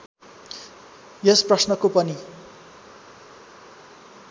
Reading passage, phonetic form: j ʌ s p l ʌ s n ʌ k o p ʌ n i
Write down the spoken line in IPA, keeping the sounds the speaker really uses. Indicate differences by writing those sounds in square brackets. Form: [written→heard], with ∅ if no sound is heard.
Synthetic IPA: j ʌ s p [l→r] ʌ s n ʌ k o p ʌ n i